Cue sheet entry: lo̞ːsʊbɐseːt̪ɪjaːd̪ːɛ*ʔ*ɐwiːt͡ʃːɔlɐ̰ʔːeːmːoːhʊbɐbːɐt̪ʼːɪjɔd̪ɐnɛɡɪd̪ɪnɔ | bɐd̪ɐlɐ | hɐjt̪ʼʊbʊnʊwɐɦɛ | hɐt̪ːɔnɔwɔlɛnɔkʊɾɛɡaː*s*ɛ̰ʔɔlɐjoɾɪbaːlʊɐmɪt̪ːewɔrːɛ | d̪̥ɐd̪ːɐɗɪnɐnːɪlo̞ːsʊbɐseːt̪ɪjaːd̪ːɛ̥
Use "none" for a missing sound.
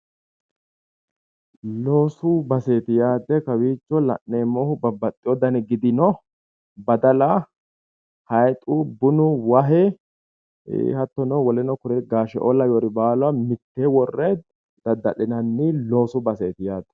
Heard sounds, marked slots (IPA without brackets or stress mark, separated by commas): k, ʃ